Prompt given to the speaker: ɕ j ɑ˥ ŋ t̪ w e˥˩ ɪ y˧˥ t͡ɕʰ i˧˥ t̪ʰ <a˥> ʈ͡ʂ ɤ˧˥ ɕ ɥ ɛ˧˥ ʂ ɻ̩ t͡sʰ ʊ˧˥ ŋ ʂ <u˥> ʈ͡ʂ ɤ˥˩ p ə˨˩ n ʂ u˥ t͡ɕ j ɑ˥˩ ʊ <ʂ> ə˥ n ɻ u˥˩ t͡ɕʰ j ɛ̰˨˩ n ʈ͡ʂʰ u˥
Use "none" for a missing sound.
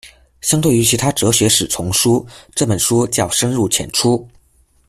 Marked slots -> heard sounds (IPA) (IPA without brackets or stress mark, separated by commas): a˥, u˥, ʂ